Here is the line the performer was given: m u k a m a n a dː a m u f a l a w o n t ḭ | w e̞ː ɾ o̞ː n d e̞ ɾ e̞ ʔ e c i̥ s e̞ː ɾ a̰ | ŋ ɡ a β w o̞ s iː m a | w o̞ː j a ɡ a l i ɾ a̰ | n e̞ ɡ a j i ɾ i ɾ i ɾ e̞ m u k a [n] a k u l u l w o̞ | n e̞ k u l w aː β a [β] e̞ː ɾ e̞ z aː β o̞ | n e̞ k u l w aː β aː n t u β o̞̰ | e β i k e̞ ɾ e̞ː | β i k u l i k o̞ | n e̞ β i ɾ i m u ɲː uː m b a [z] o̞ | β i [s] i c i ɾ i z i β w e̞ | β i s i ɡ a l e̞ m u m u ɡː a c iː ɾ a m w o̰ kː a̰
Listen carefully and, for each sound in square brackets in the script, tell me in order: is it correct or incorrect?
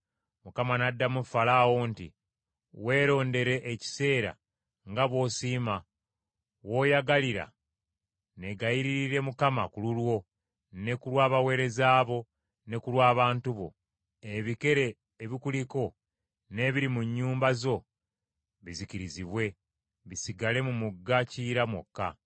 incorrect, incorrect, correct, incorrect

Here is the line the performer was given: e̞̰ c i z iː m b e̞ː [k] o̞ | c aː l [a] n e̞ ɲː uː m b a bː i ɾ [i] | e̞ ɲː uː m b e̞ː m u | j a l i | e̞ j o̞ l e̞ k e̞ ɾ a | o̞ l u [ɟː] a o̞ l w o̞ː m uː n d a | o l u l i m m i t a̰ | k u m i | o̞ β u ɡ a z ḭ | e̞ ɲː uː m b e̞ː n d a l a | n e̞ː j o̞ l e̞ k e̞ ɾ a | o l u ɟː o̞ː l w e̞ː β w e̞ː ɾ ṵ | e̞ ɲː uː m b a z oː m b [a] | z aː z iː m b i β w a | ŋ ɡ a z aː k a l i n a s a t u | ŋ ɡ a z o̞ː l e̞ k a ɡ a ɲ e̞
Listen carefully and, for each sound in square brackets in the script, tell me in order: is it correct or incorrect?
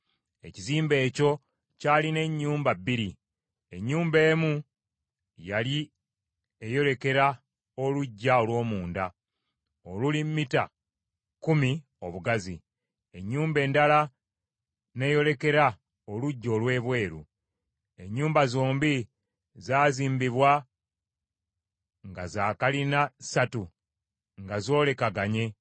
incorrect, incorrect, correct, correct, incorrect

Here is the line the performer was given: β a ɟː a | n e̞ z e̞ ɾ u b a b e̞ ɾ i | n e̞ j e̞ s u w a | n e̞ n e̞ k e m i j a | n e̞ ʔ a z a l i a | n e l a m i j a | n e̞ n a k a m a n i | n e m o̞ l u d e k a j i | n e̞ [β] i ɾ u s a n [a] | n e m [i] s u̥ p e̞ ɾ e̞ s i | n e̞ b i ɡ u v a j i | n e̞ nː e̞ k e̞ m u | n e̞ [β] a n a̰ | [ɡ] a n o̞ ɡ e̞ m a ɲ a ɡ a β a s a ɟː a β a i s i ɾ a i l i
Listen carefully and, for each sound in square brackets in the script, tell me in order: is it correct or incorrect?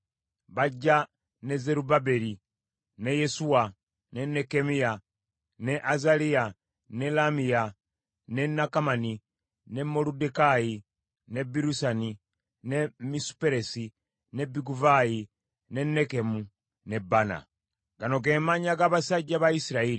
incorrect, incorrect, correct, incorrect, correct

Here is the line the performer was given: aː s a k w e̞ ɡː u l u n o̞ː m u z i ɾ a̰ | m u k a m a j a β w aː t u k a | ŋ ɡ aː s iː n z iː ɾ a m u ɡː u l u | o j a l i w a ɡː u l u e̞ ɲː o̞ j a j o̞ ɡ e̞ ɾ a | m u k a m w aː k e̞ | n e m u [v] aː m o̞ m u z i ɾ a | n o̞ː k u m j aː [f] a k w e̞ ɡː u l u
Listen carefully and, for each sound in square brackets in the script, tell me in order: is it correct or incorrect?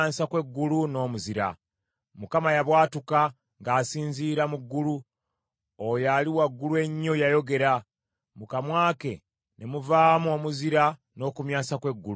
correct, incorrect

